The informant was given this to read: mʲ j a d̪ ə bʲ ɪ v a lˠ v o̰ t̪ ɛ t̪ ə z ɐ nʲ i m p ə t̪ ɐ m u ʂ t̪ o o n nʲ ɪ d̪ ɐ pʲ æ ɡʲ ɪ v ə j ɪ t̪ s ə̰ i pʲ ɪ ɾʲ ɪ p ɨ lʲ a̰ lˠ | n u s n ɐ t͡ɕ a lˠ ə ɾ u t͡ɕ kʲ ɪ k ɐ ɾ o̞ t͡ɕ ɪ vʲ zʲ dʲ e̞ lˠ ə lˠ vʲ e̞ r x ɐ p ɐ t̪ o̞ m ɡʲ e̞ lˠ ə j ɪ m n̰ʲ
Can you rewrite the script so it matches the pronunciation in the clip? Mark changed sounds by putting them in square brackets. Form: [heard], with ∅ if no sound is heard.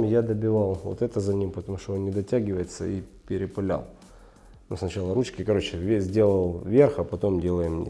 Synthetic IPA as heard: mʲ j a d̪ ə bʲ ɪ v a lˠ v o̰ t̪ ɛ t̪ ə z ɐ nʲ i m p ə t̪ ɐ m u ʂ t̪ o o n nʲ ɪ d̪ ɐ [tʲ] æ ɡʲ ɪ v ə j ɪ t̪ s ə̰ i pʲ ɪ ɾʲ ɪ p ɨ lʲ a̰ lˠ | n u s n ɐ t͡ɕ a lˠ ə ɾ u t͡ɕ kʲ ɪ k ɐ ɾ o̞ t͡ɕ ɪ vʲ zʲ dʲ e̞ lˠ ə lˠ vʲ e̞ r x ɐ p ɐ t̪ o̞ m [dʲ] e̞ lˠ ə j ɪ m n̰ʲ

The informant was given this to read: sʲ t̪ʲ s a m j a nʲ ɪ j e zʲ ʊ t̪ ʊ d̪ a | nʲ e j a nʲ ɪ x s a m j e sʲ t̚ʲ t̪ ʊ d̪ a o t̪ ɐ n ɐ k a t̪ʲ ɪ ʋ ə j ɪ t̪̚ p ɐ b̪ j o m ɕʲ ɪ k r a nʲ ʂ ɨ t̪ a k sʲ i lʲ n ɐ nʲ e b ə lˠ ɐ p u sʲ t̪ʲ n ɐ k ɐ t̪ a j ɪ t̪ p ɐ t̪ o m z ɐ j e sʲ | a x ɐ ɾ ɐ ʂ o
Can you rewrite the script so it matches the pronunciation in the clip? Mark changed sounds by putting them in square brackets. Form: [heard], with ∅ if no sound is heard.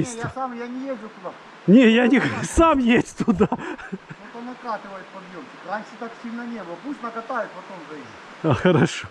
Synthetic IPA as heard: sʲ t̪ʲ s a m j a nʲ ɪ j e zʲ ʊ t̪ ʊ d̪ a | nʲ e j a nʲ ɪ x s a m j e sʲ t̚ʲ t̪ ʊ d̪ a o t̪ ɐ n ɐ k a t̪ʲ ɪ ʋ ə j ɪ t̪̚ p ɐ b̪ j o m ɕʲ ɪ k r a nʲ ʂ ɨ t̪ a k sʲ i lʲ n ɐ nʲ e b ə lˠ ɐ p u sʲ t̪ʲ n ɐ k ɐ t̪ a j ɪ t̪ p ɐ t̪ o m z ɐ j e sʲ | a x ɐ ɾ ɐ ʂ o

